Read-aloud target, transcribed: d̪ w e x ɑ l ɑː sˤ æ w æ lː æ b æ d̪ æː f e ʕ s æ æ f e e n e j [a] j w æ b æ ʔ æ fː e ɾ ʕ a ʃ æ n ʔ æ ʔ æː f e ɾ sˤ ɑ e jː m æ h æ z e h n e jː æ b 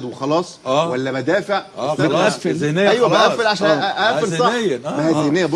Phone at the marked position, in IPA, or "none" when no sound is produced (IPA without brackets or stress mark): æ